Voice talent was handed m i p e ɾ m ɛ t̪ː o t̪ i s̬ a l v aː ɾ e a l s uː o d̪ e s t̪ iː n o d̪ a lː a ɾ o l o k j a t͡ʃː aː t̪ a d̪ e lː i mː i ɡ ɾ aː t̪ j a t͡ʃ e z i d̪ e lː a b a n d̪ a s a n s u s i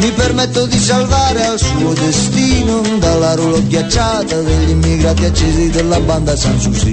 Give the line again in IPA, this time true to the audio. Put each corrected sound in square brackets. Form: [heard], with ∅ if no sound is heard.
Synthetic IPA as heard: m i p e ɾ m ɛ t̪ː o [d̪] i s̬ a l v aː ɾ e a l s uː o d̪ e s t̪ iː n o d̪ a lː a ɾ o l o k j a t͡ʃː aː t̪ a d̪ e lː i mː i ɡ ɾ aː t̪ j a t͡ʃ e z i d̪ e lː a b a n d̪ a s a n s u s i